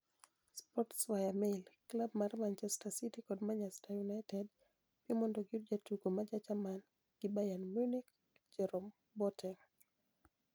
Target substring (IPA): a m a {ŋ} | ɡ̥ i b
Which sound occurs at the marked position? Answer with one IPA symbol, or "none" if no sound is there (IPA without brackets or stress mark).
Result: n